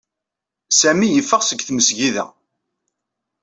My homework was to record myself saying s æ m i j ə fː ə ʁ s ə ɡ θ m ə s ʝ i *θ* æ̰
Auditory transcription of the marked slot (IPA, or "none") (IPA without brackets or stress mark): ð